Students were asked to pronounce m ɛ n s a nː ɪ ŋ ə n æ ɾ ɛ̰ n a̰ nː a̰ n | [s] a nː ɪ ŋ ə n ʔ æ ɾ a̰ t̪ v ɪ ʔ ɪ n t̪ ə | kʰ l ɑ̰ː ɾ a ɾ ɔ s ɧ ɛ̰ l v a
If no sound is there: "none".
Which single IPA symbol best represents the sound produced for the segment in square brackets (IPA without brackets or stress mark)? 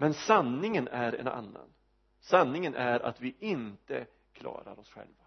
s